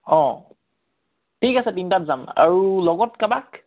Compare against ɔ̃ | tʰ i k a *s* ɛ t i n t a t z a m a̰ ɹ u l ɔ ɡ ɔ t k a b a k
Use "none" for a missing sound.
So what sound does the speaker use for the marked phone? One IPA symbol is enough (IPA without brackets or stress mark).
s